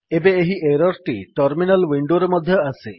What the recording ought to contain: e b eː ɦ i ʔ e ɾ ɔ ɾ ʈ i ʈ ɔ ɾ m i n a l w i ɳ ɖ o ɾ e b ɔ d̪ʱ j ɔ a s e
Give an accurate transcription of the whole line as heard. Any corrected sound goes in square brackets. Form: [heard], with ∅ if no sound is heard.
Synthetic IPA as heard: e b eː ɦ i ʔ e ɾ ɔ ɾ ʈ i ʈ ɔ ɾ m i n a l w i ɳ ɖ o ɾ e [m] ɔ d̪ʱ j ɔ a s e

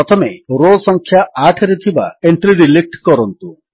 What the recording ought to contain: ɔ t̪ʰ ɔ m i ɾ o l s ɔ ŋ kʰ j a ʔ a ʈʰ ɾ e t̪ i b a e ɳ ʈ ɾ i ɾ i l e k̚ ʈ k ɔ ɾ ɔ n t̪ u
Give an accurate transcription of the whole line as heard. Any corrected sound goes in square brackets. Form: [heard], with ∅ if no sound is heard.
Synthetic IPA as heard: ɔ t̪ʰ ɔ m [e] ɾ o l s ɔ ŋ kʰ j a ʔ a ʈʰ ɾ e [t̪ʰ] i b a e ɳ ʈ ɾ i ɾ i l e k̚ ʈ k ɔ ɾ ɔ n t̪ u

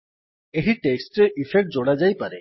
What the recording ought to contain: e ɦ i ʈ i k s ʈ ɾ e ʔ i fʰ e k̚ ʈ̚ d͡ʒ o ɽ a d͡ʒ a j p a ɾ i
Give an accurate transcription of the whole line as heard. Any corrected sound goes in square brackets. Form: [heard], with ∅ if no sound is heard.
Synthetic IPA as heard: e ɦ i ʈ [e] k s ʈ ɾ e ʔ i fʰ e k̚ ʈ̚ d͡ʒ o ɽ a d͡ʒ a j p a ɾ [e]

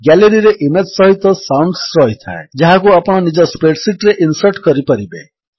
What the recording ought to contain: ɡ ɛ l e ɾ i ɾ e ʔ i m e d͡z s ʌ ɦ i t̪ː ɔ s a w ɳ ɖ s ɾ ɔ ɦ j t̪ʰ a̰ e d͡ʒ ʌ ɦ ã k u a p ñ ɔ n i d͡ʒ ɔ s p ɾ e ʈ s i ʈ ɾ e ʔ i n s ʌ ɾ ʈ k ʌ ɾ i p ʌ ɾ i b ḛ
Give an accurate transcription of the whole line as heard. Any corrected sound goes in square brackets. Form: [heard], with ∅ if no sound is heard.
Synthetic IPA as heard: ɡ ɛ l e ɾ i ɾ e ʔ i m e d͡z s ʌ ɦ i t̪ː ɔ s a w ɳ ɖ s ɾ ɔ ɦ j t̪ʰ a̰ e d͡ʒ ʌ ɦ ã k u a p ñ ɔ n i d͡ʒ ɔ s p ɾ e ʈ s i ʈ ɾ e ʔ i n s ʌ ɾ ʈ k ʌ ɾ i p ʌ ɾ i b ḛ

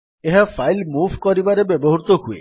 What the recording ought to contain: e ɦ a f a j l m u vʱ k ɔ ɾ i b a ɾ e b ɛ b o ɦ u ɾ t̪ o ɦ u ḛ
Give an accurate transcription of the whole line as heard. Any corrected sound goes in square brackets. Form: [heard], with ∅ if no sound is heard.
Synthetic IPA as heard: e ɦ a f a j l m u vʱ k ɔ ɾ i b a ɾ e b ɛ b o ɦ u ɾ t̪ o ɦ u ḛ

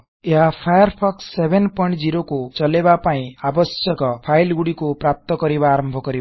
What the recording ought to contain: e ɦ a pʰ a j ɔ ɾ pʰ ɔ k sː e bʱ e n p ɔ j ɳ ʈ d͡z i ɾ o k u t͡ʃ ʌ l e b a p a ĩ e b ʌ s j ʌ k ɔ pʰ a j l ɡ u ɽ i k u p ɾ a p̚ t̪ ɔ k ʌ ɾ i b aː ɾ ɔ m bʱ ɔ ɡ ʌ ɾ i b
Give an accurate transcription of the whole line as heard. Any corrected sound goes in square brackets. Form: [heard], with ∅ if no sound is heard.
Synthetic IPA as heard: e ɦ a pʰ a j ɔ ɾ pʰ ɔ k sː e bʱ e n p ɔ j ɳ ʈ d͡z i ɾ o k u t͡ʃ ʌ l e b a p a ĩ [a] b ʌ s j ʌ k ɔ pʰ a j l ɡ u ɽ i k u p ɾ a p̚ t̪ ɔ k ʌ ɾ i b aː ɾ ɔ m bʱ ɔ [k] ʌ ɾ i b

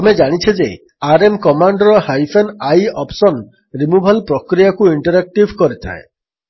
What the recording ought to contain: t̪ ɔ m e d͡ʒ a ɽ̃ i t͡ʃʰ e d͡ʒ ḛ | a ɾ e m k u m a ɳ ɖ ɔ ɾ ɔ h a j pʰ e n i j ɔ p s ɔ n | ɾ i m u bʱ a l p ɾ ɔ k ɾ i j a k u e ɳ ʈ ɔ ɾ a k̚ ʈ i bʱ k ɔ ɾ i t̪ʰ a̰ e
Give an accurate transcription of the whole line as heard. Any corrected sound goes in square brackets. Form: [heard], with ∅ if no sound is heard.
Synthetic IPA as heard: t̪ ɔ m e d͡ʒ a ɽ̃ i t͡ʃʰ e d͡ʒ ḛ | a ɾ e m k [ɔ] m a ɳ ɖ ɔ ɾ ɔ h a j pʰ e n [a] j ɔ p s ɔ n | ɾ i m u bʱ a l p ɾ ɔ k ɾ i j a k u [i] ɳ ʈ ɔ ɾ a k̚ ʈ i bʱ k ɔ ɾ i t̪ʰ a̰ e

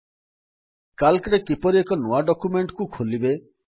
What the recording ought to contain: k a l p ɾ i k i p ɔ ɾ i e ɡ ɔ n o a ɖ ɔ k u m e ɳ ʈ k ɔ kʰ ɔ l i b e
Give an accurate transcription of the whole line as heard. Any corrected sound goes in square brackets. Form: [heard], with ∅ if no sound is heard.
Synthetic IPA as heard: k a l [k] ɾ [e] k i p ɔ ɾ i e [k] ɔ n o a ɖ ɔ k u m e ɳ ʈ k [u] kʰ [o] l i b e

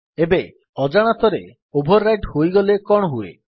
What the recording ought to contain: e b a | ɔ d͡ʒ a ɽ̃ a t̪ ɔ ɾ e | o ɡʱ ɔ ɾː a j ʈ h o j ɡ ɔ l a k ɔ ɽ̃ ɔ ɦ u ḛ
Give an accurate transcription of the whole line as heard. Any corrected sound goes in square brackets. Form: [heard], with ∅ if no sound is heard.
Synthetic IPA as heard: e b [e] | ɔ d͡ʒ a ɽ̃ a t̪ ɔ ɾ e | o [bʱ] ɔ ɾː a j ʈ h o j ɡ ɔ l [e] k ɔ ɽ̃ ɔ ɦ u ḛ

